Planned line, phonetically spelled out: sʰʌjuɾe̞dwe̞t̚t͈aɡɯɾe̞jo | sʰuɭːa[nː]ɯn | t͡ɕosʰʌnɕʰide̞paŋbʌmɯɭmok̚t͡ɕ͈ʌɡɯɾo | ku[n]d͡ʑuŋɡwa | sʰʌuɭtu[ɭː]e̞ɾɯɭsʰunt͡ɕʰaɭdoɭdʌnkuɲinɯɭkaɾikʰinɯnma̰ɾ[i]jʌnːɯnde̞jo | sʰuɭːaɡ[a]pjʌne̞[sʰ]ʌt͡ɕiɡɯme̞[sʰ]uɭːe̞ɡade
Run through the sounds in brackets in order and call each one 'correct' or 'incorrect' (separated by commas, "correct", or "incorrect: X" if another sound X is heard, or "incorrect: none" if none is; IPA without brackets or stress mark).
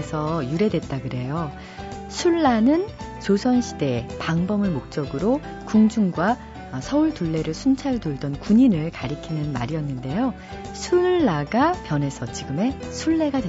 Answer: incorrect: n, incorrect: ŋ, correct, correct, correct, correct, correct